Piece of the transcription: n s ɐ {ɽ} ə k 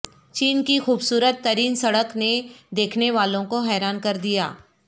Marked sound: correct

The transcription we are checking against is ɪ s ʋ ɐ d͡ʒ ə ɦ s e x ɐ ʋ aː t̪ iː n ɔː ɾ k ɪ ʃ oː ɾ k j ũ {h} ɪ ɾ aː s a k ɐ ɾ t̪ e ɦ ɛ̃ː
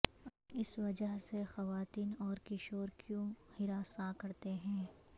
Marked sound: correct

